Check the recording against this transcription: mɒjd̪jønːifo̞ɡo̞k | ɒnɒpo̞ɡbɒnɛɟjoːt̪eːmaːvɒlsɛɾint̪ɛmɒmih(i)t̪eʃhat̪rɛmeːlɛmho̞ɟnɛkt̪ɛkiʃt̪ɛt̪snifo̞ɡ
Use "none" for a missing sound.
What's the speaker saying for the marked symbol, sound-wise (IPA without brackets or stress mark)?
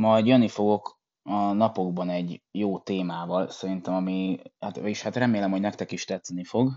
a